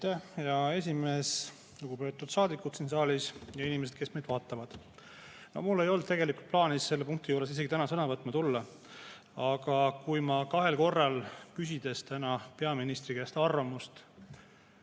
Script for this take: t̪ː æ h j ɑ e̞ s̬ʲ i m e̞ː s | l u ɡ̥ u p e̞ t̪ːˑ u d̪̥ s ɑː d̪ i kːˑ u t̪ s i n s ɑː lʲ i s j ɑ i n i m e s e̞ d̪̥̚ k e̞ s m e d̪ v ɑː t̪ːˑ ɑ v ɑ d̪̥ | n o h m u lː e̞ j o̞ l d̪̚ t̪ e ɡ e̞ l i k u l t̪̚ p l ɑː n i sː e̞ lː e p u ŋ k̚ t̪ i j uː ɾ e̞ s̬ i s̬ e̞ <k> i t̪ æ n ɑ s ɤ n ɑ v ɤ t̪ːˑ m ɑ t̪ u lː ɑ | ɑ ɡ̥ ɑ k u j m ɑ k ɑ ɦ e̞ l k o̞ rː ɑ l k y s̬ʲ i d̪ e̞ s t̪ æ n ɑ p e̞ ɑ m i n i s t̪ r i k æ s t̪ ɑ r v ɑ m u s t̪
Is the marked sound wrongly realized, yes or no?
yes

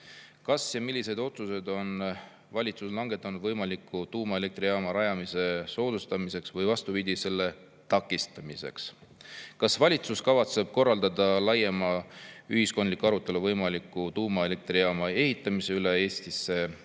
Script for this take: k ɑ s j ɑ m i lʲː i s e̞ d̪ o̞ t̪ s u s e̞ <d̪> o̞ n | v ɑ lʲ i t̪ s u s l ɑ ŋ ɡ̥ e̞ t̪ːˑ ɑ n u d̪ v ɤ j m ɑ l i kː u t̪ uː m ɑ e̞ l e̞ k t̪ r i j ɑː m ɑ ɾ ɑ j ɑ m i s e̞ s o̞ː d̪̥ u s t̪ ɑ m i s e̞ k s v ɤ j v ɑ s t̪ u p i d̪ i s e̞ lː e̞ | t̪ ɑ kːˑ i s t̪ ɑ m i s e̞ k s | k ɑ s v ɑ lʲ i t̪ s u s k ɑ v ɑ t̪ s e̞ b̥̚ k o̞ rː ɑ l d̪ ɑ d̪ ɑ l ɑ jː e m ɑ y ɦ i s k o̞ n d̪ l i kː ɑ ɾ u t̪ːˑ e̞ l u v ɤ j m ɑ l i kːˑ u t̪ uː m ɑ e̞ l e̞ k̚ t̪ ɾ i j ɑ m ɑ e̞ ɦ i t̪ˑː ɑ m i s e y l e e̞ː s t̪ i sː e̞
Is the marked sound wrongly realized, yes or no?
no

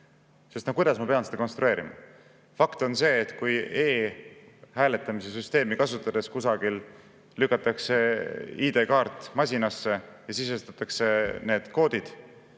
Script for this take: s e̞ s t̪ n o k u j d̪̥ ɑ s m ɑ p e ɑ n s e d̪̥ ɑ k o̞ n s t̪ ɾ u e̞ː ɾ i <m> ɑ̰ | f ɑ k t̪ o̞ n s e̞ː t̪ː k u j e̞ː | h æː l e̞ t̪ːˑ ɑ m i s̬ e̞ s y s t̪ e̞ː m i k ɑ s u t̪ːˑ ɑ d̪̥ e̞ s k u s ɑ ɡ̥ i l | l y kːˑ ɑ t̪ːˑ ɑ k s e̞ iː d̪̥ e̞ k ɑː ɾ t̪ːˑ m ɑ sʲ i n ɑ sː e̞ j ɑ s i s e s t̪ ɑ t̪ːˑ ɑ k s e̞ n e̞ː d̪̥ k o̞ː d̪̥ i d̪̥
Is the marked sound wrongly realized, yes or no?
no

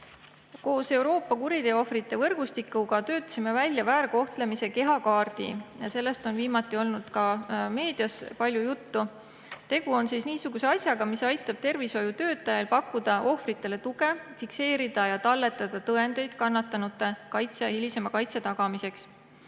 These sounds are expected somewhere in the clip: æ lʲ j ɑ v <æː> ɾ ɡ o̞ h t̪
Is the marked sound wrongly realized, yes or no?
no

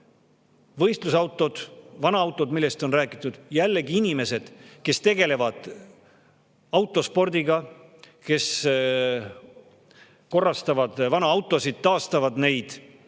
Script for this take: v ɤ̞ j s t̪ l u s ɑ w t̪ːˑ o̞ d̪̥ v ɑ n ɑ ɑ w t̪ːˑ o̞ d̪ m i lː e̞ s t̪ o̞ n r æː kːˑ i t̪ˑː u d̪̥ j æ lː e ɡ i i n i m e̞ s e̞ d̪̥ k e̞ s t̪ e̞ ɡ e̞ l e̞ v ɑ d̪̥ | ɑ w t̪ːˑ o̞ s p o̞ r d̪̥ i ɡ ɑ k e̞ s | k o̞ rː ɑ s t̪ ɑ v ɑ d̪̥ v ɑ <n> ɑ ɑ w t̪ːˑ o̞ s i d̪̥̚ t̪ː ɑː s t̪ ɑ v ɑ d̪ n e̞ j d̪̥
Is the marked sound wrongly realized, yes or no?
no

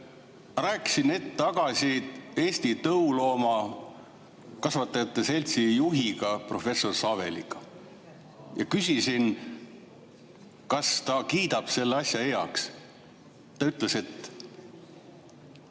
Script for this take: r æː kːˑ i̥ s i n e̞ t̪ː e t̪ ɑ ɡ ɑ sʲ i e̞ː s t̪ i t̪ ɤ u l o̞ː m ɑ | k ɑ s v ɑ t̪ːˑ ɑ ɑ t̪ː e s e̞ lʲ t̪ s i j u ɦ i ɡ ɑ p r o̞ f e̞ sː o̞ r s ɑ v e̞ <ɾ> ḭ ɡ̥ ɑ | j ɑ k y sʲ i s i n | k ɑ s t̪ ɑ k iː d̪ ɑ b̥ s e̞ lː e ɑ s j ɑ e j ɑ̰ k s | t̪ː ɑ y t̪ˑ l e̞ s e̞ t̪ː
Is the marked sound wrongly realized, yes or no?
yes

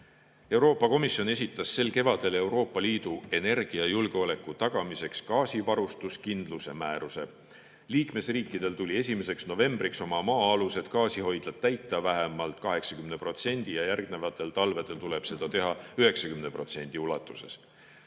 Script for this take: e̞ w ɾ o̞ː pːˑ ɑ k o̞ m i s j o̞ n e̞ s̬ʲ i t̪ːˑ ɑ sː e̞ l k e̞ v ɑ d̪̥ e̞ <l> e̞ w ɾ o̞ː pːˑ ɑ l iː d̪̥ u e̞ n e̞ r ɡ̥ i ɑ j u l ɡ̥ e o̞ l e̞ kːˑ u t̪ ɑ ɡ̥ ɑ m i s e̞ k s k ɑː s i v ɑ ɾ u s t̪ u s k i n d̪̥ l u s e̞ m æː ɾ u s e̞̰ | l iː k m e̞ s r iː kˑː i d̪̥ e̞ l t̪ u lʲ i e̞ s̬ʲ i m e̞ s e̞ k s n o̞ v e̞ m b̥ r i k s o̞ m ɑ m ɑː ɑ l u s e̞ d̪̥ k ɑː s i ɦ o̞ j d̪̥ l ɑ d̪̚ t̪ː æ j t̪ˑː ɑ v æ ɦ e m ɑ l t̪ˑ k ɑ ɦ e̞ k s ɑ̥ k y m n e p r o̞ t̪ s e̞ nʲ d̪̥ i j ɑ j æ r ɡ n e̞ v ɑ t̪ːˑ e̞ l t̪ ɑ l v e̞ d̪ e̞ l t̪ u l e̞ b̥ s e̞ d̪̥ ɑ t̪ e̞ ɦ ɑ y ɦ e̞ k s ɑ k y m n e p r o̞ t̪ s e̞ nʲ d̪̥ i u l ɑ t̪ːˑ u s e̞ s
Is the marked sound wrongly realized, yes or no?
no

